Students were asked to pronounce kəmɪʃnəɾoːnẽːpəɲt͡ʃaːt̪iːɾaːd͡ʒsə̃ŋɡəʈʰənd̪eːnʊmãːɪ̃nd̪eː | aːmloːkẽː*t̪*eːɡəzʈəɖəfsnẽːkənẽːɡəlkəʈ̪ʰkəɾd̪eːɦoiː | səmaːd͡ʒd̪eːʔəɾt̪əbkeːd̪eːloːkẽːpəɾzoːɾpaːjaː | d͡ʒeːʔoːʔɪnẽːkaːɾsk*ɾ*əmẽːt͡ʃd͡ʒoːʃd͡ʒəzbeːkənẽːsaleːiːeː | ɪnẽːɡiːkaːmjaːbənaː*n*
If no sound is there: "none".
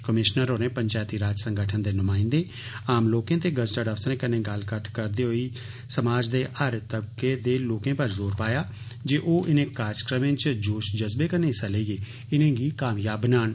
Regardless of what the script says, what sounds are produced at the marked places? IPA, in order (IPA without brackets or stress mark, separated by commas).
t̪, ɾ, n